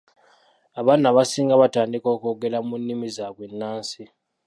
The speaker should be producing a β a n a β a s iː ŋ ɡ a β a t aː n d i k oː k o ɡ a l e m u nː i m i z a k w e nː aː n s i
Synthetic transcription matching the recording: a β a n a β a s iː ŋ ɡ a β a t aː n d i k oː k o ɡ e l a m u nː i m i z a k w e nː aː n s i